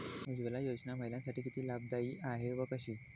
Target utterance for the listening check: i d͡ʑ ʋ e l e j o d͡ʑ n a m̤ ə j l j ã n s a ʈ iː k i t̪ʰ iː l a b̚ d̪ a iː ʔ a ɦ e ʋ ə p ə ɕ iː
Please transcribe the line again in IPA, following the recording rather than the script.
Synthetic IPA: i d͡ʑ ʋ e l a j o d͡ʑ n a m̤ ə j l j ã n s a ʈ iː k i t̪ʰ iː l a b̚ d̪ a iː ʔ a ɦ e ʋ ə k ə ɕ iː